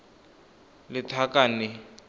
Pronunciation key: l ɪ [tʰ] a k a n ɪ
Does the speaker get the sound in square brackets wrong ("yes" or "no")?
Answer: no